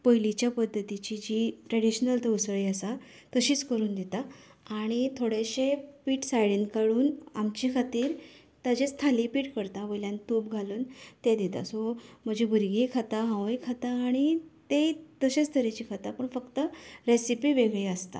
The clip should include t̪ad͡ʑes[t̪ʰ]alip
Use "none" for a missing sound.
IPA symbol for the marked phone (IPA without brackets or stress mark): t̪ʰ